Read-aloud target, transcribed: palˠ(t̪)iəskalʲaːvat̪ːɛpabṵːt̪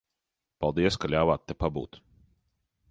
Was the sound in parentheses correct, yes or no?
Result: no